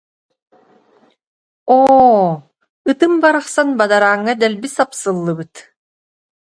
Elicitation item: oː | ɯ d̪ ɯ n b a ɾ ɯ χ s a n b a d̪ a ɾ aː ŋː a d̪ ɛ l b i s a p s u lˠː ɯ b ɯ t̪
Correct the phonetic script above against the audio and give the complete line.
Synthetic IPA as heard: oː | ɯ t̪ ɯ m b a ɾ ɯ χ s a n b a d̪ a ɾ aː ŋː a d̪ ɛ l b i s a p s ɯ lˠː ɯ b ɯ t̪